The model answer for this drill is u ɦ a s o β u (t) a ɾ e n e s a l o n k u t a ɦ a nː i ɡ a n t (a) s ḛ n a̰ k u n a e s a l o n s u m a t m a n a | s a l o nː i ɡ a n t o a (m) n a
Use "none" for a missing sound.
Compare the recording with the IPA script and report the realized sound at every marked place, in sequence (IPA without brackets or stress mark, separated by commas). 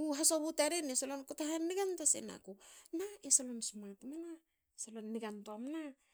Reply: t, a, m